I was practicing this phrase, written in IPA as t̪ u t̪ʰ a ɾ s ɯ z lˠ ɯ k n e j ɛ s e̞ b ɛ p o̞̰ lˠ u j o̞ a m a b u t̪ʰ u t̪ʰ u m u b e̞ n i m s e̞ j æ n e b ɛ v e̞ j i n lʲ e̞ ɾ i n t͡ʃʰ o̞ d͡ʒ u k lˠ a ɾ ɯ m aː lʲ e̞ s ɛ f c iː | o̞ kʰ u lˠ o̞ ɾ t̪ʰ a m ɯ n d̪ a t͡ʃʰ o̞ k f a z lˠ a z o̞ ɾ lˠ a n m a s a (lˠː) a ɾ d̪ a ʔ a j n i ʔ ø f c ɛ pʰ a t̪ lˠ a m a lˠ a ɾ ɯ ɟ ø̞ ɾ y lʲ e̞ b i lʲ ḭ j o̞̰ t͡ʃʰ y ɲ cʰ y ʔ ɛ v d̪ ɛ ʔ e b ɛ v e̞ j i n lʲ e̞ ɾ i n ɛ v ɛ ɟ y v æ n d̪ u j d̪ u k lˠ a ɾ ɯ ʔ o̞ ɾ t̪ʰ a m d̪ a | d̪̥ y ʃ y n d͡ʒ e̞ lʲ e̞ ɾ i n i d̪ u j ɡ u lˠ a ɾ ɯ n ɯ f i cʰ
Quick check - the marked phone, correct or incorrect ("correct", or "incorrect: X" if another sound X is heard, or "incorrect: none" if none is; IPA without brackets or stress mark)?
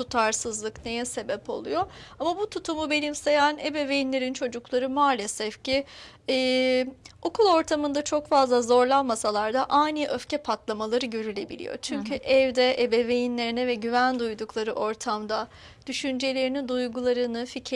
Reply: incorrect: lˠ